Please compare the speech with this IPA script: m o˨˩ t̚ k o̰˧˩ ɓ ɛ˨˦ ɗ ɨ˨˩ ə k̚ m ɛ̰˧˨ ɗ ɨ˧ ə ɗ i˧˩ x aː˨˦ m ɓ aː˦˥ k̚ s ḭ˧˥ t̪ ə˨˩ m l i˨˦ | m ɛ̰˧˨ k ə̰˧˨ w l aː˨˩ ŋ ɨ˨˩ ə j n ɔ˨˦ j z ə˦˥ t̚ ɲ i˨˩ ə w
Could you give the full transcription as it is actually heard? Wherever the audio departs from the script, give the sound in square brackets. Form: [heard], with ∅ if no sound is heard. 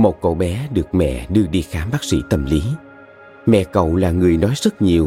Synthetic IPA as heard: m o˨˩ t̚ k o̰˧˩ ɓ ɛ˨˦ ɗ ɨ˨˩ ə k̚ m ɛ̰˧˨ ɗ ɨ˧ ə ɗ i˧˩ x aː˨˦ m ɓ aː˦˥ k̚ s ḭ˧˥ t̪ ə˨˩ m l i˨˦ | m ɛ̰˧˨ k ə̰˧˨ w l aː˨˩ ŋ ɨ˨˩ ə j n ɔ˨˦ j z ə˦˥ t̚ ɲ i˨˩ ə w